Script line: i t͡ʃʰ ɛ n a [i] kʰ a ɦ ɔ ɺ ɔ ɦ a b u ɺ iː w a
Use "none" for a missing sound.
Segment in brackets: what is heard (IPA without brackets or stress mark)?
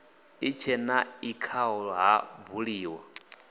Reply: i